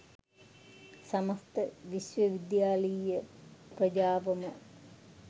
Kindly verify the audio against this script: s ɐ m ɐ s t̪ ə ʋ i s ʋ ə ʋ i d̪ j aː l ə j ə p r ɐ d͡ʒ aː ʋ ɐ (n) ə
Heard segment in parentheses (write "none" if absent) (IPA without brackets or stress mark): m